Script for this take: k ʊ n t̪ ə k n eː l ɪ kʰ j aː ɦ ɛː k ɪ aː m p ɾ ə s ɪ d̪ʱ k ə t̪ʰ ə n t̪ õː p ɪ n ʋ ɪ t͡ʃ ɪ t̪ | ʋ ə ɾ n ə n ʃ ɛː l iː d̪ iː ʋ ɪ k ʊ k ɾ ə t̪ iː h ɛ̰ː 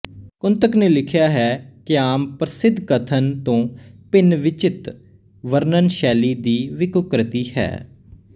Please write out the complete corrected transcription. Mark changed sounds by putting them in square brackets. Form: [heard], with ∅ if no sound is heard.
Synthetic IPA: k ʊ n t̪ ə k n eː l ɪ kʰ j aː ɦ ɛː k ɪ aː m p ɾ ə s ɪ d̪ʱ k ə t̪ʰ ə n t̪ õː p ɪ n ʋ ɪ t͡ʃ ɪ t̪ | ʋ ə ɾ n ə n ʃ ɛː l iː d̪ iː ʋ ɪ k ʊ k ɾ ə t̪ iː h ɛ̰ː